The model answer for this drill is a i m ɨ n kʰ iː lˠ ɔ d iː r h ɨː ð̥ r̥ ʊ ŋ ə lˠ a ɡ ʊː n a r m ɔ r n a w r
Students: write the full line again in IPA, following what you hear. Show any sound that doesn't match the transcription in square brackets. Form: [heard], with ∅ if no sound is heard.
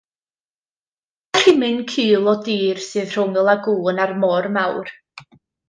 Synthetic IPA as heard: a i m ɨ n kʰ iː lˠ ɔ d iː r [s] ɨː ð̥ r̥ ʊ ŋ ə lˠ a ɡ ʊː n a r m ɔ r [m] a w r